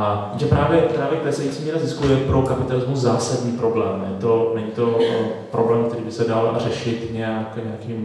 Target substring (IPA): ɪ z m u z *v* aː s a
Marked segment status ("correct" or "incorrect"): incorrect